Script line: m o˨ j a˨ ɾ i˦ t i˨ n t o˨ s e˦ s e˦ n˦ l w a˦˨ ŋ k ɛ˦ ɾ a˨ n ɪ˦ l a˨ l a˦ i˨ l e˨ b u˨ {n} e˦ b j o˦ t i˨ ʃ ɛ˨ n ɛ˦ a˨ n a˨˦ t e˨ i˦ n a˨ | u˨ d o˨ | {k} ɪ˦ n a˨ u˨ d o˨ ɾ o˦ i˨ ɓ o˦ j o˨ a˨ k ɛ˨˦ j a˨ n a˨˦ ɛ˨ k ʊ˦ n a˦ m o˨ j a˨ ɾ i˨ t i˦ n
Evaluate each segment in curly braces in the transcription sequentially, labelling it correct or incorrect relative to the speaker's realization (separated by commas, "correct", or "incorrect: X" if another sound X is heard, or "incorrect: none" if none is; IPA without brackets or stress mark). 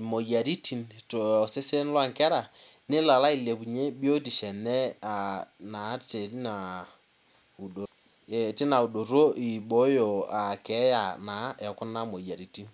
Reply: incorrect: ɲ, incorrect: t